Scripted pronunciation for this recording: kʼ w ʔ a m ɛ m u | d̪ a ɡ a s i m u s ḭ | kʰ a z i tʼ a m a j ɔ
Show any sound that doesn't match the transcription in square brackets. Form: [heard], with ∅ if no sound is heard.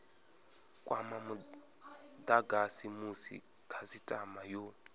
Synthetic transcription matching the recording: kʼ w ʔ a m [a] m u | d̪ a ɡ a s i m u s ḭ | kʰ a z i tʼ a m a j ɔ